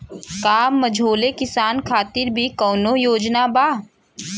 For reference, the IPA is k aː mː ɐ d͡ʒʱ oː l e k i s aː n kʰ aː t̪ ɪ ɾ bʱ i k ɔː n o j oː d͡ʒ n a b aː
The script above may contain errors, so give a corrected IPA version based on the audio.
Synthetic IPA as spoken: k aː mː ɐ d͡ʒʱ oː l e k ɪ s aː n kʰ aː t̪ ɪ ɾ bʱ i k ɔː n o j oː d͡ʒ n a b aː